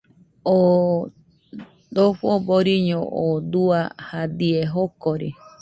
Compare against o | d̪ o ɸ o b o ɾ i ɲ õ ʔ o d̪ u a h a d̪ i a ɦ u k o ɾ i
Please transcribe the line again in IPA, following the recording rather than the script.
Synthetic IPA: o | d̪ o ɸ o b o ɾ i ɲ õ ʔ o d̪ u a h a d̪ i e ɦ o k o ɾ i